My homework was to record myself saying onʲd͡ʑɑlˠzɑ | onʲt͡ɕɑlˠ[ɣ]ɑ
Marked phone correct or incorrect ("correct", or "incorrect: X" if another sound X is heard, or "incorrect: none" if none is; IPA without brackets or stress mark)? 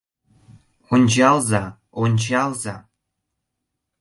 incorrect: z